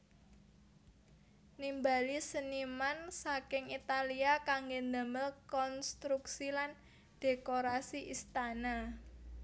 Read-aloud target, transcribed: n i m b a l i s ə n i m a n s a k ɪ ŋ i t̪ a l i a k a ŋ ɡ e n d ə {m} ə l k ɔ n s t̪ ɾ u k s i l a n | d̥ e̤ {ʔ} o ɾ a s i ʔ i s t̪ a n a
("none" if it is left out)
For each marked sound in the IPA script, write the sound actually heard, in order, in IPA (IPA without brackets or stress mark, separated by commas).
m, k